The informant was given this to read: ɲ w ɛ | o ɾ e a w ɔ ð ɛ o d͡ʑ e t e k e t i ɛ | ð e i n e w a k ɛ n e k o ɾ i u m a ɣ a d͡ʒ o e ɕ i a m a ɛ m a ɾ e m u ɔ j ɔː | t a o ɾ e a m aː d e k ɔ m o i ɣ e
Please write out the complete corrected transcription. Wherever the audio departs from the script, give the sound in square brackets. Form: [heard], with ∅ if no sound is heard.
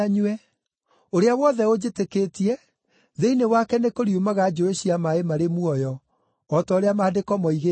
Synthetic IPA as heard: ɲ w ɛ | o ɾ e a w ɔ ð ɛ o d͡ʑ e t e k e t i ɛ | ð e i n e w a k ɛ n e k o ɾ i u m a ɣ a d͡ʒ o e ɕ i a m a [e] m a ɾ e m u ɔ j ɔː | t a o ɾ e a m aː d e k ɔ m [ɔ] i ɣ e